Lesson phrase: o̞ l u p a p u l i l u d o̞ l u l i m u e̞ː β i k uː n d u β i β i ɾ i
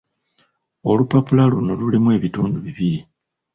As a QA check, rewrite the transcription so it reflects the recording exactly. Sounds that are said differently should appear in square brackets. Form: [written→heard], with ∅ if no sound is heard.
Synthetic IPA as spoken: o̞ l u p a p u l [i→a] l u [d→n] o̞ l u l i m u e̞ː β i [k→t] uː n d u β i β i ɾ i